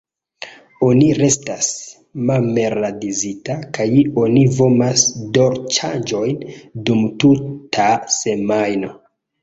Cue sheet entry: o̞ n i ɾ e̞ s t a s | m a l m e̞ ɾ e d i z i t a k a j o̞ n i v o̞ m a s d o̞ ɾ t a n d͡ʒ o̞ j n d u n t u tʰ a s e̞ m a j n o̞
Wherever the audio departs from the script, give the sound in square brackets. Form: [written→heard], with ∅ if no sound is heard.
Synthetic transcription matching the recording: o̞ n i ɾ e̞ s t a s | m a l m e̞ ɾ [e→a] d i z i t a k a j o̞ n i v o̞ m a s d o̞ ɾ [t→t͡ʃ] a n d͡ʒ o̞ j n d u [n→m] t u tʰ a s e̞ m a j n o̞